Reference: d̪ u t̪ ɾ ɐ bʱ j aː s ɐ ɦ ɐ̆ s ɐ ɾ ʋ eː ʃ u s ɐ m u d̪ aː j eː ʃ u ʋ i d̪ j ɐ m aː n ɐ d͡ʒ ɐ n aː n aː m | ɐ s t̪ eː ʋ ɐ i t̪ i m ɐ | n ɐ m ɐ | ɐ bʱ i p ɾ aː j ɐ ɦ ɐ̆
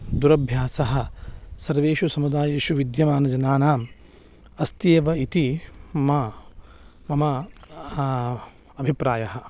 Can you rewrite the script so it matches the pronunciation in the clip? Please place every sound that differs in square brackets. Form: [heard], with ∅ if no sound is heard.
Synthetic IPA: d̪ u [∅] ɾ ɐ bʱ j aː s ɐ ɦ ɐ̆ s ɐ ɾ ʋ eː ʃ u s ɐ m u d̪ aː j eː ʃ u ʋ i d̪ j ɐ m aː n ɐ d͡ʒ ɐ n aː n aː m | ɐ s t̪ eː ʋ ɐ i t̪ i m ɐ | [m] ɐ m ɐ | ɐ bʱ i p ɾ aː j ɐ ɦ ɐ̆

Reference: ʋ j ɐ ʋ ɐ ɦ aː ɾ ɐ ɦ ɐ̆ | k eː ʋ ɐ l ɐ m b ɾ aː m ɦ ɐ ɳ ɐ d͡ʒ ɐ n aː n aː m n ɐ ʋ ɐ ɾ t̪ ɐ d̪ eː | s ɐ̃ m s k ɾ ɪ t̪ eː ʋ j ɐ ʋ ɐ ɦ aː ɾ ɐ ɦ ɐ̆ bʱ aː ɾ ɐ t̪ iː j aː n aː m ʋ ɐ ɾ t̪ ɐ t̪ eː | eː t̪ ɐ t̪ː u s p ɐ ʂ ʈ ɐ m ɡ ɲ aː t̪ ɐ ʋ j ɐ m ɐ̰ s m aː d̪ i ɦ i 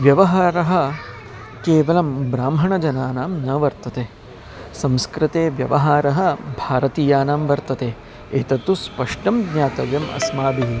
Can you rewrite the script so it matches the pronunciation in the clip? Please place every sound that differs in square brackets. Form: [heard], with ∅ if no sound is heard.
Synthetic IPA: ʋ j ɐ ʋ ɐ ɦ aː ɾ ɐ ɦ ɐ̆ | k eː ʋ ɐ l ɐ m b ɾ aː m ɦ ɐ ɳ ɐ d͡ʒ ɐ n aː n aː m n ɐ ʋ ɐ ɾ t̪ ɐ [t̪] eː | s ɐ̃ m s k ɾ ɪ t̪ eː ʋ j ɐ ʋ ɐ ɦ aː ɾ ɐ ɦ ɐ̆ bʱ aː ɾ ɐ t̪ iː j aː n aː m ʋ ɐ ɾ t̪ ɐ t̪ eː | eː t̪ ɐ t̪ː u s p ɐ ʂ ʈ ɐ m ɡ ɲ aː t̪ ɐ ʋ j ɐ m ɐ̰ s m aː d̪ i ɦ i

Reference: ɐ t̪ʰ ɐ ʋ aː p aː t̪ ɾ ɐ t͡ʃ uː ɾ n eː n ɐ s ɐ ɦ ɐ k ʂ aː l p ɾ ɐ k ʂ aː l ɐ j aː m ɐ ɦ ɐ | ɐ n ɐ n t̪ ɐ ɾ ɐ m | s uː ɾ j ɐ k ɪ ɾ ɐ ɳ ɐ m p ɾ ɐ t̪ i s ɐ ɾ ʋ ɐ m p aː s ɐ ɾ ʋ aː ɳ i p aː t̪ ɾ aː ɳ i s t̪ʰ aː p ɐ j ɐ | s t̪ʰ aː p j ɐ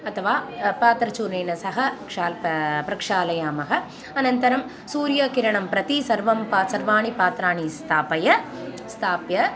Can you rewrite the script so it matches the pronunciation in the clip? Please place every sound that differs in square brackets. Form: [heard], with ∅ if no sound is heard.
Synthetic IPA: ɐ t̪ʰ ɐ ʋ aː p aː t̪ ɾ ɐ t͡ʃ uː ɾ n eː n ɐ s ɐ ɦ ɐ k ʂ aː l p ɾ ɐ k ʂ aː l ɐ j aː m ɐ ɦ ɐ | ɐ n ɐ n t̪ ɐ ɾ ɐ m | s uː ɾ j ɐ k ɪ ɾ ɐ ɳ ɐ m p ɾ ɐ t̪ i s ɐ ɾ ʋ ɐ m p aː s ɐ ɾ ʋ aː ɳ i p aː t̪ ɾ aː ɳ i s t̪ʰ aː p ɐ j ɐ | s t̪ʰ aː p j ɐ

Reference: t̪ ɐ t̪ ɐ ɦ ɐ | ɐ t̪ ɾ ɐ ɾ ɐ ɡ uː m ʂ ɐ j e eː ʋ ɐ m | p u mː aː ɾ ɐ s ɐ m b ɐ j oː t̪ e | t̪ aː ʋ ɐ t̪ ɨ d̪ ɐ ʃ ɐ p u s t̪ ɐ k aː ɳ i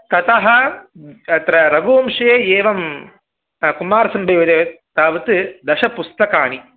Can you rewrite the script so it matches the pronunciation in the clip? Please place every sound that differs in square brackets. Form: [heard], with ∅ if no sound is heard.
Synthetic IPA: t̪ ɐ t̪ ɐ ɦ ɐ | ɐ t̪ ɾ ɐ ɾ ɐ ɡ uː m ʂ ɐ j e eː ʋ ɐ m | [k] u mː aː ɾ ɐ s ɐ m b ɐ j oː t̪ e | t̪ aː ʋ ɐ t̪ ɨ d̪ ɐ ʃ ɐ p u s t̪ ɐ k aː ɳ i

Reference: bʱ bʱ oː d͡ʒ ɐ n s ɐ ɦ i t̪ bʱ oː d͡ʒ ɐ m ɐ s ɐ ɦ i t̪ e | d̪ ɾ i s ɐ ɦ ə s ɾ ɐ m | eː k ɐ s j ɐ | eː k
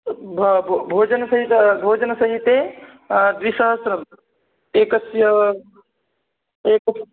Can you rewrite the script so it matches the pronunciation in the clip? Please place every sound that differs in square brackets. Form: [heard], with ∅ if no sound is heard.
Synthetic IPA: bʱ bʱ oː d͡ʒ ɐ n s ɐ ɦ i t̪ bʱ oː d͡ʒ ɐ [n] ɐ s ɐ ɦ i t̪ e | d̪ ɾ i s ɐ ɦ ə s ɾ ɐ m | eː k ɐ s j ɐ | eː k

